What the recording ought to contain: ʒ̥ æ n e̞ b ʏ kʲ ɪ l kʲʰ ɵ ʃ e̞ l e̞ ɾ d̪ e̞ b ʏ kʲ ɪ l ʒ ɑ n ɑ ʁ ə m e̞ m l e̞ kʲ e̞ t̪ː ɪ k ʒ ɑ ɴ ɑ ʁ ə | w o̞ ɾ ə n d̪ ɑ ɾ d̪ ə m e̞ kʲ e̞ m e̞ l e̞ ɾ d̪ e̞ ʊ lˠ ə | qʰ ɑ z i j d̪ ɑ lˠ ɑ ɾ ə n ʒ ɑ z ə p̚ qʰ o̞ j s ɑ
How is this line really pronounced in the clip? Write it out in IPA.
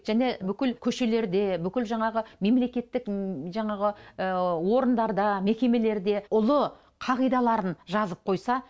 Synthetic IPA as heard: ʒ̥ æ n e̞ b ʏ kʲ ɪ l kʲʰ ɵ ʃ e̞ l e̞ ɾ d̪ e̞ b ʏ kʲ ɪ l ʒ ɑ ɴ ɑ ʁ ə m e̞ m l e̞ kʲ e̞ t̪ː ɪ k ʒ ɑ ɴ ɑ ʁ ə | w o̞ ɾ ə n d̪ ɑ ɾ d̪ ɑ m e̞ kʲ e̞ m e̞ l e̞ ɾ d̪ e̞ ʊ lˠ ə | qʰ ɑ ʁ i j d̪ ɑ lˠ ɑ ɾ ə n ʒ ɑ z ə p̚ qʰ o̞ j s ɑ